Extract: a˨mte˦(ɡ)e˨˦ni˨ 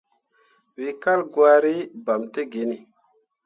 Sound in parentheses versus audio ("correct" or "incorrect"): correct